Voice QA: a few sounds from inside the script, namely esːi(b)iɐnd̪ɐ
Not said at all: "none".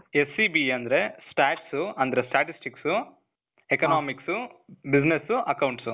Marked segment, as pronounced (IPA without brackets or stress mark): b